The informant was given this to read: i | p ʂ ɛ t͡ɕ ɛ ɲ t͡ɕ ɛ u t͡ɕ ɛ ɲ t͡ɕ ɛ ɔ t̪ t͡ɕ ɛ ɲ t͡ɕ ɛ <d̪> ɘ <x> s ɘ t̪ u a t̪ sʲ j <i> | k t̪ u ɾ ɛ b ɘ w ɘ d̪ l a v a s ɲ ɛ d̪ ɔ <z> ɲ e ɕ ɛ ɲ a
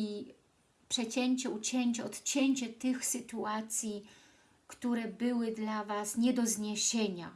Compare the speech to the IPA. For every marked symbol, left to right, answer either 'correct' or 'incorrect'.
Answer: incorrect: t̪, correct, correct, correct

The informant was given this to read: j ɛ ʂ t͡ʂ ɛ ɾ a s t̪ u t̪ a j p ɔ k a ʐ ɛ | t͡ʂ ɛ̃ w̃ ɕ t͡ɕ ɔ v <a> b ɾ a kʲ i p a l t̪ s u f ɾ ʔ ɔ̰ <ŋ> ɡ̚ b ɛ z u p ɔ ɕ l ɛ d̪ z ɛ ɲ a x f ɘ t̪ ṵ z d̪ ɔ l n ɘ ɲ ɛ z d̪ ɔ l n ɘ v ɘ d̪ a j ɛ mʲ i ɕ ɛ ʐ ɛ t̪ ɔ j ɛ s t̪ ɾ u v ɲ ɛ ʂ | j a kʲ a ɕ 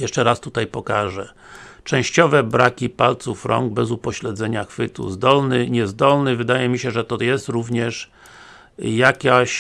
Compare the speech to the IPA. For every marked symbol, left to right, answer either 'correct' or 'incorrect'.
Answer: incorrect: ɛ, correct

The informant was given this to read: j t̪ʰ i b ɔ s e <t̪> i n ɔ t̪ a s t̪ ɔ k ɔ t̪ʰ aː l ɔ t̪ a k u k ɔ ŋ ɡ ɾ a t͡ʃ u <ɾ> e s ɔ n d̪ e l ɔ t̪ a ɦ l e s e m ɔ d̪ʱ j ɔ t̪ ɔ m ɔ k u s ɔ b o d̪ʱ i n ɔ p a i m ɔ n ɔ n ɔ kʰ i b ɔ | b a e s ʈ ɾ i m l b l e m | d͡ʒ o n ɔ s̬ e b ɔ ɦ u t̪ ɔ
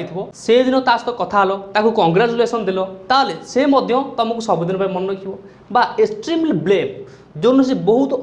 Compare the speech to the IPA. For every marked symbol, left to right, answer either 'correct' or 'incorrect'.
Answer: incorrect: d̪, incorrect: l

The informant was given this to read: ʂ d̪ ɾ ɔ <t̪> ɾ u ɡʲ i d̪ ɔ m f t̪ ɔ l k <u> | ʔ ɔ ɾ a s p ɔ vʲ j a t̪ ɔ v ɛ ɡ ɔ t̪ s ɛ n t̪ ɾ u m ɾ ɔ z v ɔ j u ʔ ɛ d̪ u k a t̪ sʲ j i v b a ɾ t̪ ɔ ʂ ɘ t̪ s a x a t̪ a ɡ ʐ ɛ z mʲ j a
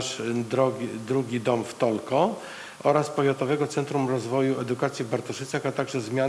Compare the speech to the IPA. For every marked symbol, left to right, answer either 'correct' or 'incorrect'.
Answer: incorrect: d̪, incorrect: ɔ

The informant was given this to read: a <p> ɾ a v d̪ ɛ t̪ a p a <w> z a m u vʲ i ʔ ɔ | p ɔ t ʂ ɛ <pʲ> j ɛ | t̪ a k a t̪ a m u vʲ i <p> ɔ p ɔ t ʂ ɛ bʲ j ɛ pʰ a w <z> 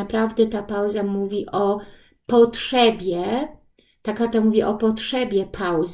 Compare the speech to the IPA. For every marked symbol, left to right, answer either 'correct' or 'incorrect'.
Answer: correct, correct, incorrect: bʲ, incorrect: ʔ, correct

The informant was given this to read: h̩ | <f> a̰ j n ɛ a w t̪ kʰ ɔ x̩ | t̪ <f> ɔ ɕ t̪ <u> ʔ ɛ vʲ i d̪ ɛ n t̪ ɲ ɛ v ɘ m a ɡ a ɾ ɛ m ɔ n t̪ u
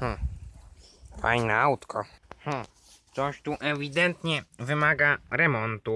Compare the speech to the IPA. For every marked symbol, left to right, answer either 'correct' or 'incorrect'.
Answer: correct, incorrect: s, correct

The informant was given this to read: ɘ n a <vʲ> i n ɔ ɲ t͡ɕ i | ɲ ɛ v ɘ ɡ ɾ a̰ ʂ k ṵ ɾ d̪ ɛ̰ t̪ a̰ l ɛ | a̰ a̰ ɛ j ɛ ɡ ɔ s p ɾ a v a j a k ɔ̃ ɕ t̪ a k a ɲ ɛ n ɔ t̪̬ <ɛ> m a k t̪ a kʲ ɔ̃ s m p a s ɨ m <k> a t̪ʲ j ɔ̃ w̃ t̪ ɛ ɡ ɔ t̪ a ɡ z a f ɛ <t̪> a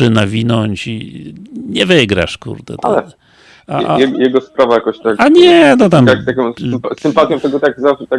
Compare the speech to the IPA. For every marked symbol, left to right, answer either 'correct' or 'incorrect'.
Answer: correct, incorrect: a, incorrect: p, correct

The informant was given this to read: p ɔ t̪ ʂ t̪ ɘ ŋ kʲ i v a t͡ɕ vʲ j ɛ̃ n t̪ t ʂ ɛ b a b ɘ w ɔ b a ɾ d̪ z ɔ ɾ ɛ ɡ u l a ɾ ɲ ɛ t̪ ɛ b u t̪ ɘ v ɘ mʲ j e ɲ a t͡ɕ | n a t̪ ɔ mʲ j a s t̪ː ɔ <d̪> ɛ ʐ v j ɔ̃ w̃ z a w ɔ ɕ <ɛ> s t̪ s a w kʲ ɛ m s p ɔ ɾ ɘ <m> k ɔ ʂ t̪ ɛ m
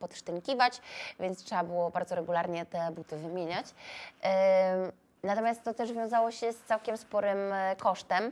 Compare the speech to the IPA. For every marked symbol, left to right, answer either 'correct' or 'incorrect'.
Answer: incorrect: t̪, correct, correct

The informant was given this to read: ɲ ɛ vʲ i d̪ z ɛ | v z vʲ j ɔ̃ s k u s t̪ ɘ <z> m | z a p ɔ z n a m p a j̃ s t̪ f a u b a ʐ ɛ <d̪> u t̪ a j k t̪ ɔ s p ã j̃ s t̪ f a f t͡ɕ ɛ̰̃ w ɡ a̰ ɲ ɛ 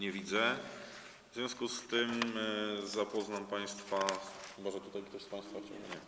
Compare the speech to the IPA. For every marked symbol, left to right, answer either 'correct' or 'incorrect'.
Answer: incorrect: none, incorrect: t̪

